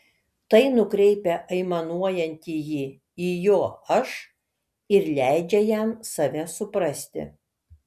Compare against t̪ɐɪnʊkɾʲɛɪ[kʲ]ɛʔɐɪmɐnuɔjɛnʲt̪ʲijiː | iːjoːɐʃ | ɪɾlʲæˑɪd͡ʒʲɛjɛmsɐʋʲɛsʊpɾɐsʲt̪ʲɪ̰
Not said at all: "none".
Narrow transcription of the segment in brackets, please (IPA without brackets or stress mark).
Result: pʲ